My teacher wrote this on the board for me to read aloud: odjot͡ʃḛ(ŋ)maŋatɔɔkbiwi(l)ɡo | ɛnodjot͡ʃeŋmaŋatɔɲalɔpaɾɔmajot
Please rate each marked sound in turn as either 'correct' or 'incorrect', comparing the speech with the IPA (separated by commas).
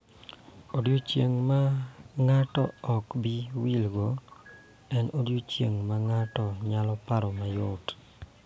correct, correct